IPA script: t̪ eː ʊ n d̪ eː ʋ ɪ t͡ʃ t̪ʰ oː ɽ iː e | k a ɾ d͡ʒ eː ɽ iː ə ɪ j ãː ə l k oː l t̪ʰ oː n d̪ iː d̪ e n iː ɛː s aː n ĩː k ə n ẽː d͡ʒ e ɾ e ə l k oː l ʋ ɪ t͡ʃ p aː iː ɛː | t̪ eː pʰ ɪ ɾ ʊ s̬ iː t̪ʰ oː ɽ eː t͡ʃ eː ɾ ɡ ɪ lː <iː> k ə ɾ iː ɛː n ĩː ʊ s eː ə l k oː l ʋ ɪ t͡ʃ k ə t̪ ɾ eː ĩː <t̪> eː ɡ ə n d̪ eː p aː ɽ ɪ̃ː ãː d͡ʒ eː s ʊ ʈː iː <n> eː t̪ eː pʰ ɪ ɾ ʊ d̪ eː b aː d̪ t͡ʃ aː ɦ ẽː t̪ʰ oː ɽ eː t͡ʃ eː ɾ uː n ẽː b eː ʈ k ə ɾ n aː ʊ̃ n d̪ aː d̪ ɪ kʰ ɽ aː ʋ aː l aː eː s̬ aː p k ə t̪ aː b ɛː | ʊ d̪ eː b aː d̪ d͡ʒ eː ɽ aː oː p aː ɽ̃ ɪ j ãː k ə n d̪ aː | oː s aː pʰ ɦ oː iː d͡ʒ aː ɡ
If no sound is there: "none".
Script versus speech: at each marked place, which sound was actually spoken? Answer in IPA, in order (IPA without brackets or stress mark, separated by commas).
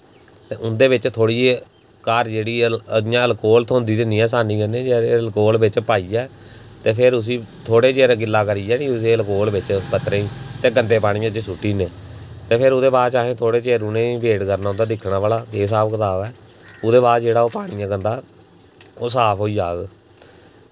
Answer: aː, t̪, n